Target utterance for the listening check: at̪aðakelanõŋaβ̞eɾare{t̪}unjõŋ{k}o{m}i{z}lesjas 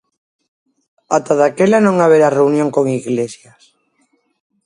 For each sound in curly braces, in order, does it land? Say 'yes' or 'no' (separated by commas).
no, yes, no, no